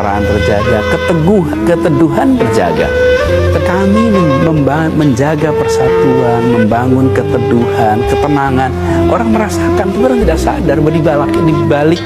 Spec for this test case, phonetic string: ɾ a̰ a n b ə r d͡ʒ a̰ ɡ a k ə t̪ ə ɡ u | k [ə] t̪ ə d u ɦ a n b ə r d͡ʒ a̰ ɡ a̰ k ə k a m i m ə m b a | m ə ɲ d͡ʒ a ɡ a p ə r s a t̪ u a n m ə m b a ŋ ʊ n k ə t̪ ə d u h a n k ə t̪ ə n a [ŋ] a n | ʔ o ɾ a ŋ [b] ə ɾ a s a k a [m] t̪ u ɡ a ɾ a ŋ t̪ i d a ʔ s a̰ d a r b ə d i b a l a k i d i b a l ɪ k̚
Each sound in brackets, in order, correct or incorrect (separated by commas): correct, correct, incorrect, incorrect